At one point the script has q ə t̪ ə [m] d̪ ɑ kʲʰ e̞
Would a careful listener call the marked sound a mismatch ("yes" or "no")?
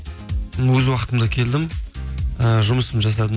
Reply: no